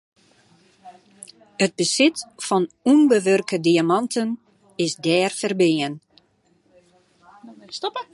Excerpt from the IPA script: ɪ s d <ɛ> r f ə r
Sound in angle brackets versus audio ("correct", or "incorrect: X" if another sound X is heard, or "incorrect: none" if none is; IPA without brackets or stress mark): incorrect: ɛː